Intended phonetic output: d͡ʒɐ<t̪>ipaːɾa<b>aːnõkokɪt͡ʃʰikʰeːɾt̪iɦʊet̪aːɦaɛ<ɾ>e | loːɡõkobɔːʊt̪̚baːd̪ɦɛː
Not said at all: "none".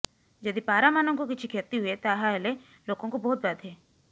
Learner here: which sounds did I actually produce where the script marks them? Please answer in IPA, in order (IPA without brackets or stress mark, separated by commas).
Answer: d̪, m, l